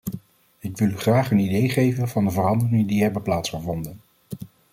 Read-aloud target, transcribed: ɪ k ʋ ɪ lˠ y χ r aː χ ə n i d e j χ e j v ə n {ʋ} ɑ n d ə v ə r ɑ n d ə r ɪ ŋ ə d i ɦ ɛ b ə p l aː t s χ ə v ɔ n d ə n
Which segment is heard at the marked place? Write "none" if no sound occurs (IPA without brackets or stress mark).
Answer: v